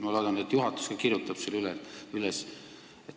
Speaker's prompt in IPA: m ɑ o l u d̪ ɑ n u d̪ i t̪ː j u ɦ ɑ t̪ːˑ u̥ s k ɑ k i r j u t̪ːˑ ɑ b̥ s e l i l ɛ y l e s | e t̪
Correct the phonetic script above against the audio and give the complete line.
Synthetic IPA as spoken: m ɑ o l o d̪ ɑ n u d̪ e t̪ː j u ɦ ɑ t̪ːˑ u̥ s k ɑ k i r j u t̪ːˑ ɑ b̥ s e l y l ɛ y l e s | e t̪